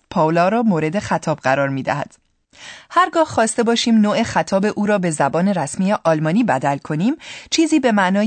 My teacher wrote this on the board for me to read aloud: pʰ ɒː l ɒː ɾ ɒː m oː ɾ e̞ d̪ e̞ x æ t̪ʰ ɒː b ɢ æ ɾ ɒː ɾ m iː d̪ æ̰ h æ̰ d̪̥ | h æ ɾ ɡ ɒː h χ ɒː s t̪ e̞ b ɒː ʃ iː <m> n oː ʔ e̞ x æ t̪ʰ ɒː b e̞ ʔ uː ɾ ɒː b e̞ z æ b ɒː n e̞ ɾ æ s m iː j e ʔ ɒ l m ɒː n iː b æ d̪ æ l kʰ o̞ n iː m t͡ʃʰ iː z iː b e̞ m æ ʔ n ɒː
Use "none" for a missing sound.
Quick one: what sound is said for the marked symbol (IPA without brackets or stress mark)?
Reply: m